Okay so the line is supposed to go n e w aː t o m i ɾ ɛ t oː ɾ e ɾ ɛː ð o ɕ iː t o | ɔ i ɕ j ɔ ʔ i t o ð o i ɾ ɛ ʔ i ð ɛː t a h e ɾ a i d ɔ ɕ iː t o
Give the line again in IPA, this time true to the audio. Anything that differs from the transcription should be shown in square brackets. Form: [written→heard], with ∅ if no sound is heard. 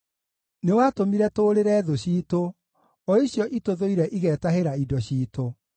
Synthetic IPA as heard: n e w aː t o m i ɾ ɛ t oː ɾ e ɾ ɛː ð o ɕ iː t o | ɔ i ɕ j ɔ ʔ i t o ð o i ɾ ɛ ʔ i [ð→ɣ] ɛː t a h e ɾ a i d ɔ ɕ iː t o